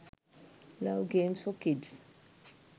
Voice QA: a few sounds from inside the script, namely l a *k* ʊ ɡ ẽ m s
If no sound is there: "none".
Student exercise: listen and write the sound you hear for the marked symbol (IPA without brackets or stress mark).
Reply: none